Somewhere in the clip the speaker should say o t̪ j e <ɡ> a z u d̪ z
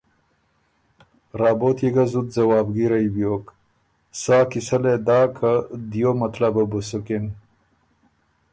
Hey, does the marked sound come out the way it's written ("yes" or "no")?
yes